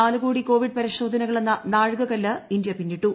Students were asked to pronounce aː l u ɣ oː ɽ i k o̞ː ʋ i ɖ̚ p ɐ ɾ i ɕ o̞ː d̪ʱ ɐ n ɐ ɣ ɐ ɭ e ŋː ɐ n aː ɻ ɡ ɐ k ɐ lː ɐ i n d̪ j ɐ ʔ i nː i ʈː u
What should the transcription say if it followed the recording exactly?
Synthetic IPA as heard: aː l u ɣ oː ɽ i k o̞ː ʋ i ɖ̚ p ɐ ɾ i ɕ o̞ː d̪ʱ ɐ n ɐ ɣ ɐ ɭ e nː ɐ n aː ɻ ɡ ɐ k ɐ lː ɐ i n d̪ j ɐ p i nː i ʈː u